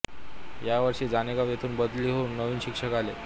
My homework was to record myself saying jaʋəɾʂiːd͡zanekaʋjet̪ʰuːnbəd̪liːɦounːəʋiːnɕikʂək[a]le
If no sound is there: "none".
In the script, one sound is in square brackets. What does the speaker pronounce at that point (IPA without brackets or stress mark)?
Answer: a